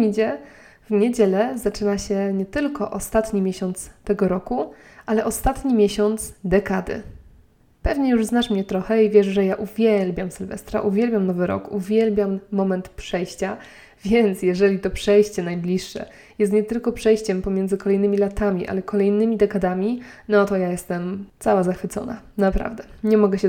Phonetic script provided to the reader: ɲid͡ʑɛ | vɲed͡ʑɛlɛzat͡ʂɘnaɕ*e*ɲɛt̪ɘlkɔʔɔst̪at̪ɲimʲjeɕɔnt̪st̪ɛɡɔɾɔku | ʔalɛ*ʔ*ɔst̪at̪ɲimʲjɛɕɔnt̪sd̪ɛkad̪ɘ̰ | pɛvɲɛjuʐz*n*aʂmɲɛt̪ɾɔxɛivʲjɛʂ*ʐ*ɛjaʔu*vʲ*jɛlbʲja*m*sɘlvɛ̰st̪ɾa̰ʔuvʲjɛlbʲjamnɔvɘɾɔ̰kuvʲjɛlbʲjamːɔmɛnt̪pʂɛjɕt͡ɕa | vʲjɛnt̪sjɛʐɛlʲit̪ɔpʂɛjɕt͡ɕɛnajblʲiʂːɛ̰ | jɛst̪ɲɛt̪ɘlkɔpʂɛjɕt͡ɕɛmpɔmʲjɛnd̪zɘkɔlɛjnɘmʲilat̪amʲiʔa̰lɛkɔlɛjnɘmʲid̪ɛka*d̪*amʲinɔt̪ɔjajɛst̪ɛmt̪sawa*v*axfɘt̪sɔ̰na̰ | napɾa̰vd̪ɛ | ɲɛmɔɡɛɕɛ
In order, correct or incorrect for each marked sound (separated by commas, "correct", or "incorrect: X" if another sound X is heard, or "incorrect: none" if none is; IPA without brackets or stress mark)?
incorrect: ɛ, correct, correct, correct, correct, correct, correct, incorrect: z